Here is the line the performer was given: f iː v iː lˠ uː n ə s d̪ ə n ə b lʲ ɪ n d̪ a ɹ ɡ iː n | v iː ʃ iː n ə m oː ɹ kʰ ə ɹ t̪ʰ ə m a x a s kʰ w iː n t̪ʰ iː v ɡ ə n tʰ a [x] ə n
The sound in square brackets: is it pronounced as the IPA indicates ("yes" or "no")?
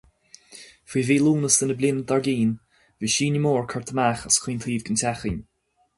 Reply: yes